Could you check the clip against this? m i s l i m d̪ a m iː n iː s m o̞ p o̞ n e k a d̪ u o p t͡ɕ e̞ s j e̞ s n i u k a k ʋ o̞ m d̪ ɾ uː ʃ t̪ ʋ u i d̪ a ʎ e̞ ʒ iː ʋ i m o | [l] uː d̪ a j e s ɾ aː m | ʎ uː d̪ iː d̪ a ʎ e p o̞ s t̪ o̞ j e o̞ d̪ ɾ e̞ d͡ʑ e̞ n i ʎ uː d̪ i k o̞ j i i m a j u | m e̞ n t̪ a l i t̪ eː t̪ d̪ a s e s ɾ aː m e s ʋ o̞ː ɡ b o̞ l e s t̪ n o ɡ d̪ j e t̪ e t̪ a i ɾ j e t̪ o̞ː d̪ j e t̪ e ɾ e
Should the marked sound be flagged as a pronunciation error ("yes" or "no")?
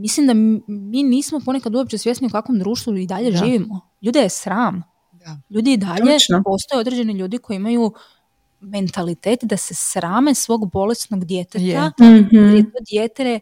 yes